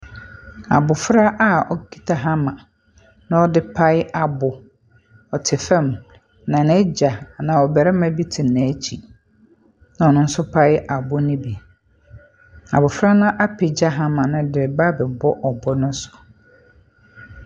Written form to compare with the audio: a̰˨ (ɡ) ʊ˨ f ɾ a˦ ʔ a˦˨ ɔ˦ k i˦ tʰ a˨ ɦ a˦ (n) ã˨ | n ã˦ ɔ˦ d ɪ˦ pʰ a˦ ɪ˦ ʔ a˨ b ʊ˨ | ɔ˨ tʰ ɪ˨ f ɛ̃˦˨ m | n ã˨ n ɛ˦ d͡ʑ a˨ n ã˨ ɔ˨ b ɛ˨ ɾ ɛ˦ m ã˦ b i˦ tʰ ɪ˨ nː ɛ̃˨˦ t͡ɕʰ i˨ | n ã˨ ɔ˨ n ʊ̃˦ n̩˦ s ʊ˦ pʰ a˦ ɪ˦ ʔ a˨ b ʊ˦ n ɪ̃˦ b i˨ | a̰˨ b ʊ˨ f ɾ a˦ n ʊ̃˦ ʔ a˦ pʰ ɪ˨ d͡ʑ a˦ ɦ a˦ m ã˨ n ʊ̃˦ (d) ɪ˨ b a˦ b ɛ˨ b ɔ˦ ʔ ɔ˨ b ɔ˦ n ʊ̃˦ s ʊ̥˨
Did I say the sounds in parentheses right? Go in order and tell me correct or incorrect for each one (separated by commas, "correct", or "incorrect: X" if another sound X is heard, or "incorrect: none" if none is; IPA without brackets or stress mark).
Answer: incorrect: b, incorrect: m, correct